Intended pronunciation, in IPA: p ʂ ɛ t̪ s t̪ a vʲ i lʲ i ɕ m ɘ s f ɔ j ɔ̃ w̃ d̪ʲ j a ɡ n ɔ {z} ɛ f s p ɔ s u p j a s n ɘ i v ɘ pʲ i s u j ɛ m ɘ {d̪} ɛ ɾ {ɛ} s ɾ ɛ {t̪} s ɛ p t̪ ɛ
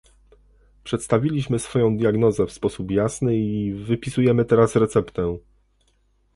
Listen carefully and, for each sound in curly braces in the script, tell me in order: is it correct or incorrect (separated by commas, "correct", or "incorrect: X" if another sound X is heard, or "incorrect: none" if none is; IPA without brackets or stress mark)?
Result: correct, incorrect: t̪, incorrect: a, correct